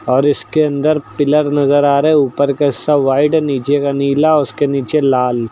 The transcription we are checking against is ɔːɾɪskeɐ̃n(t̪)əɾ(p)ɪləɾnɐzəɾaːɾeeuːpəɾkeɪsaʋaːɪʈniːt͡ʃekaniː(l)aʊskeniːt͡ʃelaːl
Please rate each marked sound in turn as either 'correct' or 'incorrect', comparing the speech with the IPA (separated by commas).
incorrect, correct, correct